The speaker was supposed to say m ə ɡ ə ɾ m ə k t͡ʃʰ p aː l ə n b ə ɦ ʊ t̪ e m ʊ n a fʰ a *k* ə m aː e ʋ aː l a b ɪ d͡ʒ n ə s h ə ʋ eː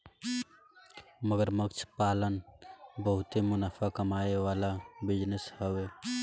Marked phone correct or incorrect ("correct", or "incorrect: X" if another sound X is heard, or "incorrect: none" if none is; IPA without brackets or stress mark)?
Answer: correct